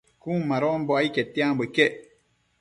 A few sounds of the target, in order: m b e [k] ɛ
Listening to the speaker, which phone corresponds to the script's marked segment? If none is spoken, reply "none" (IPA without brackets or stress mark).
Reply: k